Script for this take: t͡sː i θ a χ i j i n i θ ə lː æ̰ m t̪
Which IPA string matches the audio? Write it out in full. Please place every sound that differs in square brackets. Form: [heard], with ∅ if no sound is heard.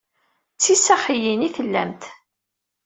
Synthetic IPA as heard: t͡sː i [s] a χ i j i n i θ ə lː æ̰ m t̪